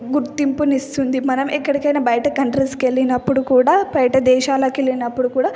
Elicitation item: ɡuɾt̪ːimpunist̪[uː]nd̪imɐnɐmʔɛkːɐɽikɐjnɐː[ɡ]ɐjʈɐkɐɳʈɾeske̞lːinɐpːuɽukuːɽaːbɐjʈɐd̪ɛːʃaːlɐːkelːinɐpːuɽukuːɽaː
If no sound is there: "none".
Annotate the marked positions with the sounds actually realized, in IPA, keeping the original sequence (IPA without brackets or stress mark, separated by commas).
u, b